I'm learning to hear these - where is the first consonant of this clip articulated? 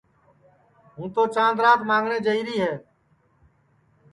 throat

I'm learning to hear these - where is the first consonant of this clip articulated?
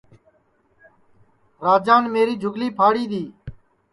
tongue tip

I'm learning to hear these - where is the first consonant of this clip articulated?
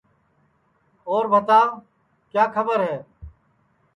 tongue tip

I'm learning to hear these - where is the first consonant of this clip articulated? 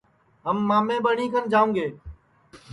throat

